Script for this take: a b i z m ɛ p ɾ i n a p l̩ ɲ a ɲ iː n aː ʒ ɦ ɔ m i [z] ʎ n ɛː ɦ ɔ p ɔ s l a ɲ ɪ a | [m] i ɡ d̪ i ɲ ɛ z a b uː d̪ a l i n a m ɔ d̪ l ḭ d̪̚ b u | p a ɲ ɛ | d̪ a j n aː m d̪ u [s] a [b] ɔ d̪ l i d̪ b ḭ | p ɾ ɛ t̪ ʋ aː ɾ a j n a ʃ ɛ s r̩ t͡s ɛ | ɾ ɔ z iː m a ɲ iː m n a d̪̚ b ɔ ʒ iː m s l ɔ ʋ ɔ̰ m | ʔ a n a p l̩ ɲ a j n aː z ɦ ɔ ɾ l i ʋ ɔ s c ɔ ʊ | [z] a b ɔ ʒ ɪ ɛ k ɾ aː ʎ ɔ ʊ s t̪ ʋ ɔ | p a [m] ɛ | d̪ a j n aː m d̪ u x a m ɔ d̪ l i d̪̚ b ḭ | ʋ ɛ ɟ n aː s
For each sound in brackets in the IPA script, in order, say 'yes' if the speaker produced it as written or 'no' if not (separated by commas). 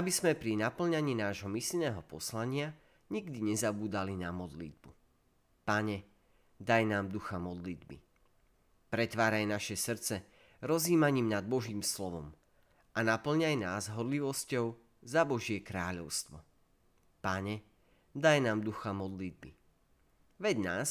no, no, no, no, yes, no